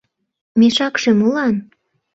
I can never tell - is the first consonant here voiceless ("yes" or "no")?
no